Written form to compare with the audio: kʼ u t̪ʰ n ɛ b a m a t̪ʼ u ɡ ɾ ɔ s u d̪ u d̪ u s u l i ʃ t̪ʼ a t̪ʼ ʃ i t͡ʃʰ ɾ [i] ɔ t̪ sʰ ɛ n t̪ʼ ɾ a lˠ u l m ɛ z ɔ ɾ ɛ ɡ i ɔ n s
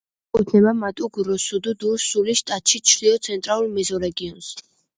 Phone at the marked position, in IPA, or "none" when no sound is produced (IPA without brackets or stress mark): i